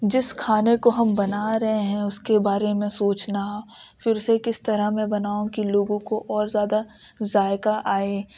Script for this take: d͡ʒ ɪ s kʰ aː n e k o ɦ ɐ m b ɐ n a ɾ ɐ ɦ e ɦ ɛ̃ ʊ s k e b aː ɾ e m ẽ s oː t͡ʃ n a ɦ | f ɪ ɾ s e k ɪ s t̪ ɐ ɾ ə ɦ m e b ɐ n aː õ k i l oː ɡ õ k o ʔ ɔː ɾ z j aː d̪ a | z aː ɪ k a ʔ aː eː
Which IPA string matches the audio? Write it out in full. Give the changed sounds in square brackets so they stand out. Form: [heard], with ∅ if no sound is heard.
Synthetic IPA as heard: d͡ʒ ɪ s kʰ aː n e k o ɦ ɐ m b ɐ n a ɾ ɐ ɦ e ɦ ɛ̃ ʊ s k e b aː ɾ e m ẽ s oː t͡ʃ n a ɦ | f ɪ ɾ s e k ɪ s t̪ ɐ ɾ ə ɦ m [ẽ] b ɐ n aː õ k i l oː ɡ õ k o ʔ ɔː ɾ z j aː d̪ a | z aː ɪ k a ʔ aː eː